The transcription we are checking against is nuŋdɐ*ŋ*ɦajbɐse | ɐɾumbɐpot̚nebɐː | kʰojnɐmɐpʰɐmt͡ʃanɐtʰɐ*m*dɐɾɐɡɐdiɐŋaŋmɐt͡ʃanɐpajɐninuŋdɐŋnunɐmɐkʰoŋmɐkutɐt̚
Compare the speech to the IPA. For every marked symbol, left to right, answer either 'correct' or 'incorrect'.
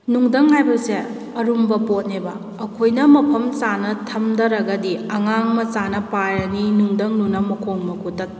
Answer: correct, correct

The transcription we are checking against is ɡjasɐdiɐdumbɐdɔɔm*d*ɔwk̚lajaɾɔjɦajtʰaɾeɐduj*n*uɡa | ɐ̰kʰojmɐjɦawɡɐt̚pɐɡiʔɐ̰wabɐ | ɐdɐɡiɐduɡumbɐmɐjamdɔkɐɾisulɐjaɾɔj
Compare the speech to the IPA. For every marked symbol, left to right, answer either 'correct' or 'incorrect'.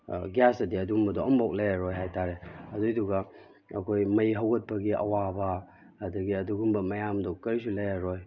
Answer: incorrect, incorrect

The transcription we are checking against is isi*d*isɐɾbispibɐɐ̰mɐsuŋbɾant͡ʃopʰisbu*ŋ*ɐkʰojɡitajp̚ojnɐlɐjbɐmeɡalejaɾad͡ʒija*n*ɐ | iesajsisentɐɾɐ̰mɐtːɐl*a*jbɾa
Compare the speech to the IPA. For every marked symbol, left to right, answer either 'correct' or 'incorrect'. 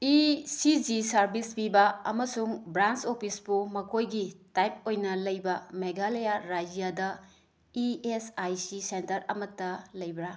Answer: incorrect, incorrect, incorrect, incorrect

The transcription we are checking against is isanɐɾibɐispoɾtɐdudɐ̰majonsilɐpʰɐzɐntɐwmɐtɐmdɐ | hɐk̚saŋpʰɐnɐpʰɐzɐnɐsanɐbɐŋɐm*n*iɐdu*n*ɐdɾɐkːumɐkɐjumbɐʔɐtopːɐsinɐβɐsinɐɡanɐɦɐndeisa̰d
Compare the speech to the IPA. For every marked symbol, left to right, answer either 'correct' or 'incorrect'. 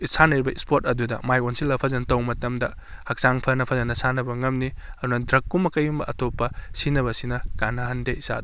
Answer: correct, correct

